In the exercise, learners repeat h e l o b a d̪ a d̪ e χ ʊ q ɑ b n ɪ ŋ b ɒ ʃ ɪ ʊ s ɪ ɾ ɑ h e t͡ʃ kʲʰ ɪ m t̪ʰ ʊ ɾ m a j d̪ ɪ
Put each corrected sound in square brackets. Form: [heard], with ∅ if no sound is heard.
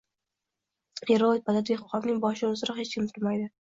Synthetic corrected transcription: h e [ɾ] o b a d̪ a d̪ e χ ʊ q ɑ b n ɪ ŋ b ɒ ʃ ɪ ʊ [z] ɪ ɾ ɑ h e t͡ʃ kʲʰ ɪ m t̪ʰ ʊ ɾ m a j d̪ ɪ